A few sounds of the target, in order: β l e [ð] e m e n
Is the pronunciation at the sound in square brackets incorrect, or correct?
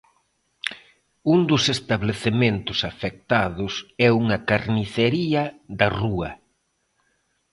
incorrect